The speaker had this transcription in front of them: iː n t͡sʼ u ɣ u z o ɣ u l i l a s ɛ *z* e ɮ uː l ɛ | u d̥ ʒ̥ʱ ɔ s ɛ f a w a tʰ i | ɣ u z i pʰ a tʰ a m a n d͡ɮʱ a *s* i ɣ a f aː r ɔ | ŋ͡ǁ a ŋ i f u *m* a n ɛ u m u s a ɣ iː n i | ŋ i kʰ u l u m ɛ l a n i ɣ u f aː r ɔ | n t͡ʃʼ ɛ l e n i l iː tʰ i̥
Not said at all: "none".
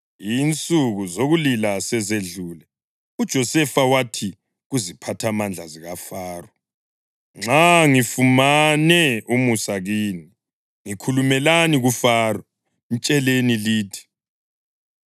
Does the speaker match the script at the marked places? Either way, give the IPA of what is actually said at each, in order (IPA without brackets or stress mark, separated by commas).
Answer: z, z, m